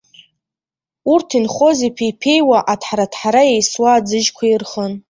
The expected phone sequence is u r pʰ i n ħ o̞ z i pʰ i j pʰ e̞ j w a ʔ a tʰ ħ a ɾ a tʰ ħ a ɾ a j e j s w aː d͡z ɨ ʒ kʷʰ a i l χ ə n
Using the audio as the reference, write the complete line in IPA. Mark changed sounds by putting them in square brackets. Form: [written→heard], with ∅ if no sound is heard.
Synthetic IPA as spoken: u r [pʰ→tʰ] i n [ħ→χ] o̞ z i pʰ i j pʰ e̞ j w a ʔ a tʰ ħ a ɾ a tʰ ħ a ɾ a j e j s w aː d͡z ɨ ʒ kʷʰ a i [l→r] χ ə n